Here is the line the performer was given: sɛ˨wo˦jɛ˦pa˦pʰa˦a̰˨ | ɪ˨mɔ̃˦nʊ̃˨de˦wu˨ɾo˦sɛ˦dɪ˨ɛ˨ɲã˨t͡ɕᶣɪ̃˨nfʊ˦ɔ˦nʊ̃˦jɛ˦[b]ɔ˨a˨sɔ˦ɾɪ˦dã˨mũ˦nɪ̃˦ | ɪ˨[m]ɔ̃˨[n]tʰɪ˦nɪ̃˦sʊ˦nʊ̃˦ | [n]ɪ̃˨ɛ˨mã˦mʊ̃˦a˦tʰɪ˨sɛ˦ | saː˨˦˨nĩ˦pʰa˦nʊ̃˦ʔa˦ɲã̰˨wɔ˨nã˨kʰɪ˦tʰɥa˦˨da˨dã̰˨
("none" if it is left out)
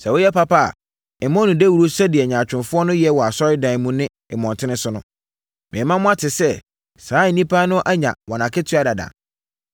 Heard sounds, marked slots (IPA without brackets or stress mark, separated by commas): w, m, n, m